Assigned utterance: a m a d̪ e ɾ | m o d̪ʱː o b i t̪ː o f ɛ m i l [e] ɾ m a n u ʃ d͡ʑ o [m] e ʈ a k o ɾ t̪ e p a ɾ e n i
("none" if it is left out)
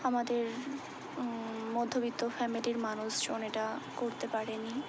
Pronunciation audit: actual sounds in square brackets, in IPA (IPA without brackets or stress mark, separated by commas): i, n